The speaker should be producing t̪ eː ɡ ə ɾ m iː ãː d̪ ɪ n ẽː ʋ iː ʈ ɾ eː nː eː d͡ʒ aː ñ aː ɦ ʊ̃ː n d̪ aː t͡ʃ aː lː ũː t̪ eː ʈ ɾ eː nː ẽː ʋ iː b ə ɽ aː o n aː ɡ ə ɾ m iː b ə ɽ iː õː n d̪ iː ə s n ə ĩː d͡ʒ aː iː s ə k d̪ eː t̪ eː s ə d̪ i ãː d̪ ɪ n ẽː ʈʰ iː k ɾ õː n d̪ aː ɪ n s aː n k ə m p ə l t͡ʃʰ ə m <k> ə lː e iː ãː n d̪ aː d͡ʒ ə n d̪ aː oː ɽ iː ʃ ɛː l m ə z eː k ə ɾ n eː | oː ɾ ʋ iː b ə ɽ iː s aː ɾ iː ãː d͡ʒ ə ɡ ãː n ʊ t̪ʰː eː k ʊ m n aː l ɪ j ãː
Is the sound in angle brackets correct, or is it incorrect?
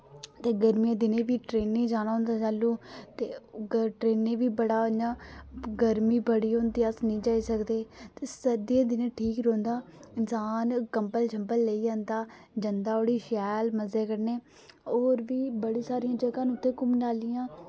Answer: incorrect